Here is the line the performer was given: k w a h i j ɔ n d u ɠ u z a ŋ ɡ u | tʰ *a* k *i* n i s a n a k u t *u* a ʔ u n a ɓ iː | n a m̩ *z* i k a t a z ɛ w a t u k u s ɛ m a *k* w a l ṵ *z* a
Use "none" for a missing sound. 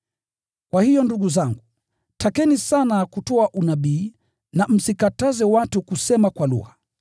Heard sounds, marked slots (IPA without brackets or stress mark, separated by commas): a, ɛ, ɔ, s, k, ɣ